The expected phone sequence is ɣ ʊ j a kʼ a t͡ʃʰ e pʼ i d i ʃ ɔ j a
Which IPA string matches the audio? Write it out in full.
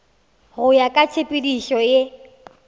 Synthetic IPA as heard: ɣ ʊ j a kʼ a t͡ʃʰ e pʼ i d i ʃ ɔ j e